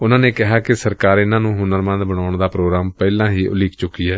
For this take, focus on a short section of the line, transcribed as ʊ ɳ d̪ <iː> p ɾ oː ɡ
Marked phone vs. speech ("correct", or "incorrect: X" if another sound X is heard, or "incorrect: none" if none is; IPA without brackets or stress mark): incorrect: aː